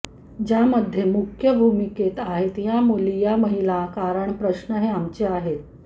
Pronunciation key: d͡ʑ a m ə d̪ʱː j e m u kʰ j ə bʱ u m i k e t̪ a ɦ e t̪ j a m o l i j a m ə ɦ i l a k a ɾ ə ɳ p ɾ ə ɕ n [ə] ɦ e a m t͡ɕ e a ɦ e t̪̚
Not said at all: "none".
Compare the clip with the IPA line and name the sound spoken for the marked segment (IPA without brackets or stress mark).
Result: ə